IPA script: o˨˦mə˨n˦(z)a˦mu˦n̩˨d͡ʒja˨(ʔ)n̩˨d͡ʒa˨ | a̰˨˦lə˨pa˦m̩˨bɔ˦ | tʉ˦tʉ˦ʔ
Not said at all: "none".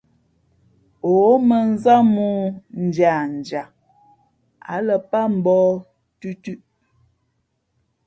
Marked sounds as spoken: z, none

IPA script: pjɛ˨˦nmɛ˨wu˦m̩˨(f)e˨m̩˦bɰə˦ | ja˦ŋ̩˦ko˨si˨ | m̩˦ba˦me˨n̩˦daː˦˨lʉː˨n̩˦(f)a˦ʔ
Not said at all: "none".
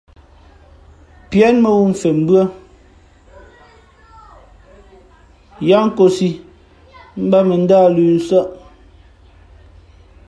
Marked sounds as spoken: f, s

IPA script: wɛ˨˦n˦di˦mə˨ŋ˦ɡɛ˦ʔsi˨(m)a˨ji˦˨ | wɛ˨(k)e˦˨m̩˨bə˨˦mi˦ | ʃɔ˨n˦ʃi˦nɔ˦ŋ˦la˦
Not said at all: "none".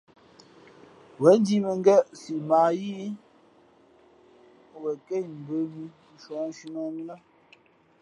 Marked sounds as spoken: m, k

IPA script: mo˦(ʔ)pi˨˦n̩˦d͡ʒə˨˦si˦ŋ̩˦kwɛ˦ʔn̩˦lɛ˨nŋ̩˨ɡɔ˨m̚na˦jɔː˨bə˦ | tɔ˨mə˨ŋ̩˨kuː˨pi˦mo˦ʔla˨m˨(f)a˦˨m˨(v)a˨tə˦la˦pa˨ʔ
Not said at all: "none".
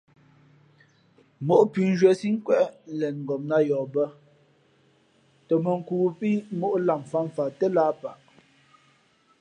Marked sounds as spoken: ʔ, f, f

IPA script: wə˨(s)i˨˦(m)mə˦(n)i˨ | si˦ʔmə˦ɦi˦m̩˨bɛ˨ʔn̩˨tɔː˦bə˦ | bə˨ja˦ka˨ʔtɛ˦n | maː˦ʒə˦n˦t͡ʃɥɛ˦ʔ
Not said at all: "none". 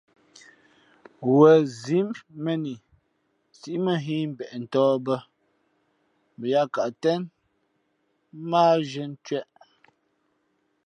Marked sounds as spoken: z, m, n

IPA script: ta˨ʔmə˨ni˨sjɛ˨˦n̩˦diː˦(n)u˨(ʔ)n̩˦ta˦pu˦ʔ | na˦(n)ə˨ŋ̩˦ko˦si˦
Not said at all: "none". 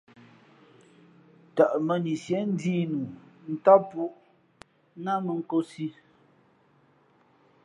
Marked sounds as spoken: n, none, m

